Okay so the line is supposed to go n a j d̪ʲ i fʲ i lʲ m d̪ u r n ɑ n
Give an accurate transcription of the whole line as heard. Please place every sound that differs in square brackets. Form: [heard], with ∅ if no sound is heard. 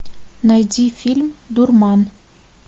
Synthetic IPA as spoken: n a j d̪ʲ i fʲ i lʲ m d̪ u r [m] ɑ n